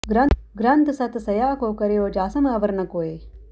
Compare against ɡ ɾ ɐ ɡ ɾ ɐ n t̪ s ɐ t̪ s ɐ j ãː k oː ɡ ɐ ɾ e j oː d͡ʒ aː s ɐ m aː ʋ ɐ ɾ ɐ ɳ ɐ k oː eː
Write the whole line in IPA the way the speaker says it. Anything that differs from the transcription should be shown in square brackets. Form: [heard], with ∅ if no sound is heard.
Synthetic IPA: ɡ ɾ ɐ ɡ ɾ ɐ n t̪ s ɐ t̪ s ɐ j [aː] k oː [k] ɐ ɾ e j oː d͡ʒ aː s ɐ m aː ʋ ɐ ɾ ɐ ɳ ɐ k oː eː